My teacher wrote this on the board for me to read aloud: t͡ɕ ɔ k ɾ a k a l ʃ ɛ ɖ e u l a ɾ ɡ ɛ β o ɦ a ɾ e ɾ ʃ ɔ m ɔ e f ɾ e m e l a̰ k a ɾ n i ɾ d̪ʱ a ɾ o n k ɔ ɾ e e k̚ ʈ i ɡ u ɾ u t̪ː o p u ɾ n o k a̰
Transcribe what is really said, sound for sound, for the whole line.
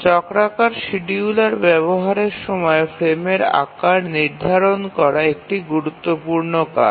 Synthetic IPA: t͡ɕ ɔ k ɾ a k a ɾ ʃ i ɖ i u l a ɾ b ɛ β o ɦ a ɾ e ɾ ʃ ɔ m ɔ e f ɾ e m e ɾ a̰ k a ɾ n i ɾ d̪ʱ a ɾ o n k ɔ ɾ a e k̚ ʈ i ɡ u ɾ u t̪ː o p u ɾ n o k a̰